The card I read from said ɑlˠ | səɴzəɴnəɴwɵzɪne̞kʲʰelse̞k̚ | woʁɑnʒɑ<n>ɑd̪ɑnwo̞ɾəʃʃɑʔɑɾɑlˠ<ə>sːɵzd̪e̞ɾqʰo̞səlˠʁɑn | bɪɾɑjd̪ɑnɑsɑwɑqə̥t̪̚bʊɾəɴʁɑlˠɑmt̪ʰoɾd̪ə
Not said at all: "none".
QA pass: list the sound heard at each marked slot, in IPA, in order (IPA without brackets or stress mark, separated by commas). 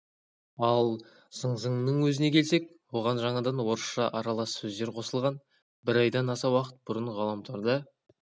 ɴ, ɑ